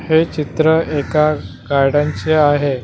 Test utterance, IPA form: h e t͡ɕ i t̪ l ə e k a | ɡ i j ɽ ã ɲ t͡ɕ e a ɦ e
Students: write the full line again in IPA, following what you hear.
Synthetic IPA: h e t͡ɕ i t̪ ɾ ə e k a | ɡ a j ɽ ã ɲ t͡ɕ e a ɦ e

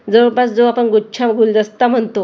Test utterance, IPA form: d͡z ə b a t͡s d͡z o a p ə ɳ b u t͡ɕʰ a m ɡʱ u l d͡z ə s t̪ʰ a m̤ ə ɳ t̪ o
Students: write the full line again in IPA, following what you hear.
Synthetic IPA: d͡z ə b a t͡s d͡z o a p ə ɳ ɡ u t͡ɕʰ a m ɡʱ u l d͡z ə s t̪ a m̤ ə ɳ t̪ o

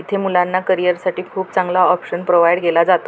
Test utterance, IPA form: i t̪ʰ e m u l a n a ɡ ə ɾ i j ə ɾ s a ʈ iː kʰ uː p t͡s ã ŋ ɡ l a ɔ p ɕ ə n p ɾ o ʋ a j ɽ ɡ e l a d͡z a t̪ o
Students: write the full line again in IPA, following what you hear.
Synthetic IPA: i t̪ʰ e m u l a nː a k ə ɾ i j ə ɾ s a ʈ iː kʰ uː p t͡s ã ŋ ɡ l a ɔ p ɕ ə n p ɾ o ʋ a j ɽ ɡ e l a d͡z a t̪ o

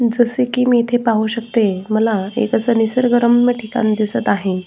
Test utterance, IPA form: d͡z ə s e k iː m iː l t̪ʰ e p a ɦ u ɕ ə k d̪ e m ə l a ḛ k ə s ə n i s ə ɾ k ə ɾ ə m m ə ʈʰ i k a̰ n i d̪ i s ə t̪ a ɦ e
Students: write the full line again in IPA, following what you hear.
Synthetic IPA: d͡z ə s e k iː m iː t̪ʰ e p a ɦ u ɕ ə k t̪ e m ə l a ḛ k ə s ə n i s ə ɾ ɡ ə ɾ ə m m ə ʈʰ i k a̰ n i d̪ i s ə t̪ a ɦ e

